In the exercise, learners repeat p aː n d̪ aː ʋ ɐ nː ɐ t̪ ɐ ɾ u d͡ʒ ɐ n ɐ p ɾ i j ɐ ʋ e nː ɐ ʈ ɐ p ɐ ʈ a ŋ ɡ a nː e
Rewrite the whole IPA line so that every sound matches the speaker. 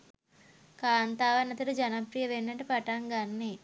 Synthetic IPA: k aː n t̪ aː ʋ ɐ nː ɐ t̪ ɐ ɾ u d͡ʒ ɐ n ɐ p ɾ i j ɐ ʋ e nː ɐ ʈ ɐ p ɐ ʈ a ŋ ɡ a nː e